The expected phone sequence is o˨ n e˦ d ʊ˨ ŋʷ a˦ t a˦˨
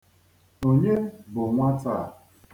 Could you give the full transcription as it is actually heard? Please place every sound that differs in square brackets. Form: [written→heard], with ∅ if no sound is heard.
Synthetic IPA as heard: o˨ [n→ɲ] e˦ [d→b] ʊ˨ ŋʷ a˦ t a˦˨